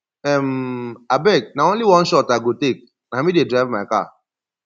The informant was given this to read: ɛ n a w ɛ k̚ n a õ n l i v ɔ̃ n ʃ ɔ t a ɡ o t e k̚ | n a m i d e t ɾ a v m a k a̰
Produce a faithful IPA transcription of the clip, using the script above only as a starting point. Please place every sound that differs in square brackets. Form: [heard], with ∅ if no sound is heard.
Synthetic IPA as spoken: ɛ [m] a [b] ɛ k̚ n a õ n l i [w] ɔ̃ n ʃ ɔ t a ɡ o t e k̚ | n a m i d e [d] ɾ a v m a k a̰